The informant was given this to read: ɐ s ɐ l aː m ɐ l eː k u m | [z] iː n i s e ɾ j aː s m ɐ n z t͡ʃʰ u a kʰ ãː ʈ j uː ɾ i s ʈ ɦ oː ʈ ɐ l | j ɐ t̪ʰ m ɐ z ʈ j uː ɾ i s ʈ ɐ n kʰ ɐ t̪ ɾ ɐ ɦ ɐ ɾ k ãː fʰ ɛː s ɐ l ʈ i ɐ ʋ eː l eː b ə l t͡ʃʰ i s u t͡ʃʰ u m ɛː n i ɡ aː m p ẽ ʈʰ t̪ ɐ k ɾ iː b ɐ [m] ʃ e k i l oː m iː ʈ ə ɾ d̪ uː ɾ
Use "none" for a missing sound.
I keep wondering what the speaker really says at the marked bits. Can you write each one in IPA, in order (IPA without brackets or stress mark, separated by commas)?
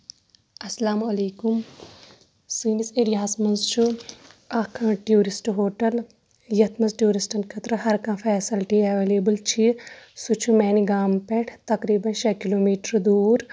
s, n